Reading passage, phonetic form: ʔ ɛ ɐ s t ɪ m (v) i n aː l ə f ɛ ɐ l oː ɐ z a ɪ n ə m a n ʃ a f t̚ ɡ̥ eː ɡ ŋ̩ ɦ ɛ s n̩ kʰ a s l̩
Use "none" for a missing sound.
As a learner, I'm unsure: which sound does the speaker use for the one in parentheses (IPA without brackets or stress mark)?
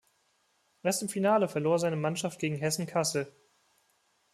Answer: f